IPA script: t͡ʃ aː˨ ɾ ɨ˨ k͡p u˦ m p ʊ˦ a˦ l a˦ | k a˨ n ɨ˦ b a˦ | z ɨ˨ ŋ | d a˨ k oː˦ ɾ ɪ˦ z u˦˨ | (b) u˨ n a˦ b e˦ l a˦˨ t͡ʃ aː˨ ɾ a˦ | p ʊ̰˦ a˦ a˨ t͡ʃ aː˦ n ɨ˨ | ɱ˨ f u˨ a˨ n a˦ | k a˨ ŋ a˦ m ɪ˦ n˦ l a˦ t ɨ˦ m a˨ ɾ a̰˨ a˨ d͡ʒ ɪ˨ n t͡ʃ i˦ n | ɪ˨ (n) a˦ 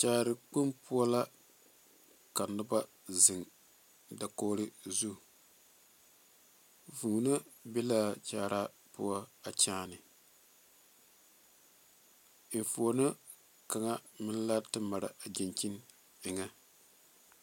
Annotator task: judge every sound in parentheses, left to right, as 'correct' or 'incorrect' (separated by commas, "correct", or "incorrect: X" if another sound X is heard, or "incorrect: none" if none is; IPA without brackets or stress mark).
incorrect: v, incorrect: ŋ